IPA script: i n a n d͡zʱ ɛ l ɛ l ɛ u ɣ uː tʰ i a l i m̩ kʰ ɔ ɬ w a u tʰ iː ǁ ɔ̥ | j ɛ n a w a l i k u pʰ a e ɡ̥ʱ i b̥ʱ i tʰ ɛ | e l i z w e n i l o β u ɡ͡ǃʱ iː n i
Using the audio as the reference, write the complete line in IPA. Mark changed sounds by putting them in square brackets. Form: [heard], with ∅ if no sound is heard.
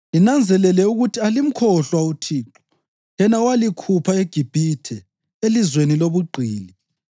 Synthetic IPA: i n a n d͡zʱ ɛ l ɛ l ɛ u ɣ [u] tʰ i a l i m̩ kʰ ɔ ɬ w a u tʰ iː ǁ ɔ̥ | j ɛ n a w a l i [kʰ] u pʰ a e ɡ̥ʱ i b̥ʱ i tʰ ɛ | e l i z w e n i l o β u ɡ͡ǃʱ iː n i